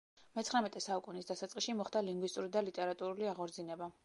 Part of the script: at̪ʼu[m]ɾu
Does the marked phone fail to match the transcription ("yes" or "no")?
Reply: yes